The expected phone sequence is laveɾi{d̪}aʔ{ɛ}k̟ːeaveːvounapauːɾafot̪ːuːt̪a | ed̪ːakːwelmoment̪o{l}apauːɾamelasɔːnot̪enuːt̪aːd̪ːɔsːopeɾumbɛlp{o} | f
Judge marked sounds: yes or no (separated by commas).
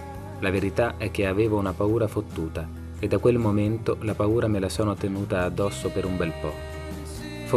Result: no, yes, yes, no